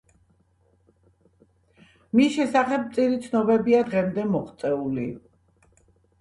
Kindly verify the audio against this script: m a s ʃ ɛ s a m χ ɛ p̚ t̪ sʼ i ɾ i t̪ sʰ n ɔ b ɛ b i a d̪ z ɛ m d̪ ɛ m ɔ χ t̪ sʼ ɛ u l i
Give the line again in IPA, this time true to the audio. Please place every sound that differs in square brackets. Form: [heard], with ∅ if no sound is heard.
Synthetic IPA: m [i] s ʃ ɛ s a [∅] χ ɛ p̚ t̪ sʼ i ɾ i t̪ sʰ n ɔ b ɛ b i a d̪ [ʁ] ɛ m d̪ ɛ m ɔ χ t̪ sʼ ɛ u l i